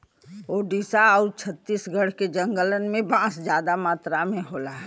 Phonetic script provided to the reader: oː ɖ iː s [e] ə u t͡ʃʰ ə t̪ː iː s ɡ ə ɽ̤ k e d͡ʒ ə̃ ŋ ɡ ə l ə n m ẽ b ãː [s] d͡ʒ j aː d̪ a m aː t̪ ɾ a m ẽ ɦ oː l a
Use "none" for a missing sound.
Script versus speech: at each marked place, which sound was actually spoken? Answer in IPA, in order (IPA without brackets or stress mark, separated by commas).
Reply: a, s